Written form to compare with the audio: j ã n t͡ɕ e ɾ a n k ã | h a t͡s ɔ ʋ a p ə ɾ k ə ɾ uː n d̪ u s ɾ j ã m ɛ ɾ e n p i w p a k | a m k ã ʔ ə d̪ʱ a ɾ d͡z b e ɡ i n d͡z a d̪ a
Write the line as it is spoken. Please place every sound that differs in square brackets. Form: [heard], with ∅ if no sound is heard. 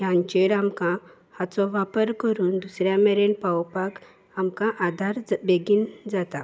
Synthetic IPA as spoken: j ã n t͡ɕ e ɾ a [m] k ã | h a t͡s ɔ ʋ a p ə ɾ k ə ɾ uː n d̪ u s ɾ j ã m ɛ ɾ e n p [a] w p a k | a m k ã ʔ [a] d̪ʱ a ɾ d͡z b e ɡ i n d͡z a [t̪] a